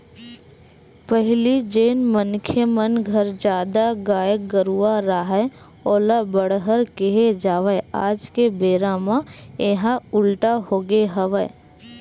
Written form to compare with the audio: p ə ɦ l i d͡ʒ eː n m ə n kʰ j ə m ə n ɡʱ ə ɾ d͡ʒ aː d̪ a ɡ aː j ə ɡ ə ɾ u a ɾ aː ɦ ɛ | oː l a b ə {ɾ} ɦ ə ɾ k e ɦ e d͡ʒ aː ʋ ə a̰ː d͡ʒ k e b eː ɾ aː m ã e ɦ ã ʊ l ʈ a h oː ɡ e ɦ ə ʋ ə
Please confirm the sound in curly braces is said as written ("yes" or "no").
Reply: no